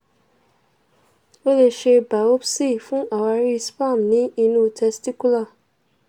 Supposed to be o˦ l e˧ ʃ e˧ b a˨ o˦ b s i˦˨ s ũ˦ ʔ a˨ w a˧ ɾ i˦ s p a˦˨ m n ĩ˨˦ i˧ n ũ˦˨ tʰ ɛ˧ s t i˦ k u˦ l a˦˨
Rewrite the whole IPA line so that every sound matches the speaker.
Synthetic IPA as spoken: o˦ l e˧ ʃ e˧ b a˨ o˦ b s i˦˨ f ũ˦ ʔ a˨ w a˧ ɾ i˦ s p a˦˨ m n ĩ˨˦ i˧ n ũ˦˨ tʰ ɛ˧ s t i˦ k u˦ l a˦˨